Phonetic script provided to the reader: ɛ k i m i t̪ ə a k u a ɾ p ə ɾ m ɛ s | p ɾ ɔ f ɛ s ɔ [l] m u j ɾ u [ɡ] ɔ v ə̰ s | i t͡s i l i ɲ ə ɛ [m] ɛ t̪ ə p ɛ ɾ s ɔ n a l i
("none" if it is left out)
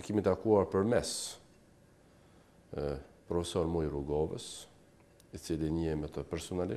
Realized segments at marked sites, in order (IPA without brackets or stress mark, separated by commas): ɾ, ɡ, m